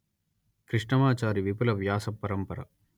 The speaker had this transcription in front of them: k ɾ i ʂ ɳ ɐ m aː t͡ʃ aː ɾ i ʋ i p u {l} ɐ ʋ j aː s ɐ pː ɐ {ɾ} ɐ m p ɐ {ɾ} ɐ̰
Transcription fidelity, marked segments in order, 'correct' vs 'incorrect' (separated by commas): correct, correct, correct